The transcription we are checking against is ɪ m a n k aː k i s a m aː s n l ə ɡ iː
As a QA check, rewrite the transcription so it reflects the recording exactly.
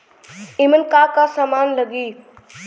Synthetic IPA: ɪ m ə n k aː k a s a m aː n l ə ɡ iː